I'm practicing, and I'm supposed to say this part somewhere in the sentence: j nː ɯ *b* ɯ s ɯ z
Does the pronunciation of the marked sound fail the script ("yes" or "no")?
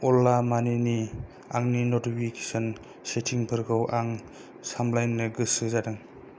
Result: yes